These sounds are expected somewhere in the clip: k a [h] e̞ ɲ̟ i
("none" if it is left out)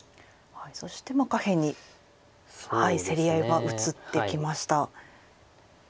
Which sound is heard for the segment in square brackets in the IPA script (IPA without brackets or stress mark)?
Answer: h